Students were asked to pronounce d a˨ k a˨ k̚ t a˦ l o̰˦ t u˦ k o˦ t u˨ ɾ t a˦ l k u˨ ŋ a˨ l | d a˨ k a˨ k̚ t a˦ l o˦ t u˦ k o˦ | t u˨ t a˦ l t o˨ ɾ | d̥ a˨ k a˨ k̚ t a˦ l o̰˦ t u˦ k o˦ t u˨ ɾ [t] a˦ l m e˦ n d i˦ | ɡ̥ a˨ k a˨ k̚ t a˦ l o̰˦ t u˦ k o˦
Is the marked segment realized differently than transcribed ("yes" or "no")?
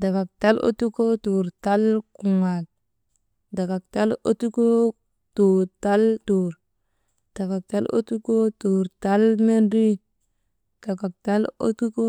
no